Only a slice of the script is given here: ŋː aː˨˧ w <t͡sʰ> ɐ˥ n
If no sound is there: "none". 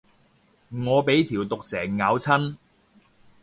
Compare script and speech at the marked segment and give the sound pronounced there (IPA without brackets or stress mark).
t͡sʰ